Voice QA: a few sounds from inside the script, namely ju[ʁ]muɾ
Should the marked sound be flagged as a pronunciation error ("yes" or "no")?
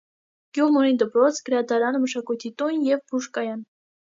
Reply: no